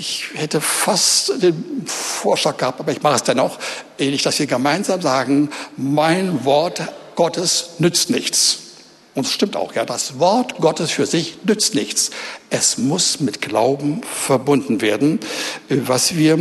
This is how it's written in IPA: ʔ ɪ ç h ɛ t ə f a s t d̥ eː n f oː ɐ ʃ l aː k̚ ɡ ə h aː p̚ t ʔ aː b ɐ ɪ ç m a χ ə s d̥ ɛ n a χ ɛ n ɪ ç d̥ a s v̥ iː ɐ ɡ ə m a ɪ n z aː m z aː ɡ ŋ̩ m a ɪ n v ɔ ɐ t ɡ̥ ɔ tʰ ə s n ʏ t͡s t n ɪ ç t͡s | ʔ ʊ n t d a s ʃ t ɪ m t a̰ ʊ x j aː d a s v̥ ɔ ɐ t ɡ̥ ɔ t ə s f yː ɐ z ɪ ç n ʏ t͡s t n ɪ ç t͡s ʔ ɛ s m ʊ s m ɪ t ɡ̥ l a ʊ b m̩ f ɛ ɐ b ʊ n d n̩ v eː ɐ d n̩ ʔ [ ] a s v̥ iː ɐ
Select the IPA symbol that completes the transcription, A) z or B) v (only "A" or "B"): B